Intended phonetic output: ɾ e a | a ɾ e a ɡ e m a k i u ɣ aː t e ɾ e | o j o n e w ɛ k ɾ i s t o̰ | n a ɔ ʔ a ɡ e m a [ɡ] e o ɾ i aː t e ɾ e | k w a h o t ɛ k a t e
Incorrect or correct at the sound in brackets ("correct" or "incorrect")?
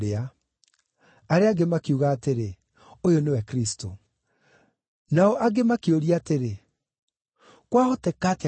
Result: incorrect